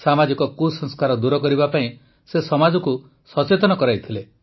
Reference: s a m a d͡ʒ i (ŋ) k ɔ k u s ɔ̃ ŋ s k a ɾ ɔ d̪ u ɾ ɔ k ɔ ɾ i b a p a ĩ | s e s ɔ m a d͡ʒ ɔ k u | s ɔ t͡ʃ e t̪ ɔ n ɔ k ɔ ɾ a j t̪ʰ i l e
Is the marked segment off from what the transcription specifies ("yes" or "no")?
yes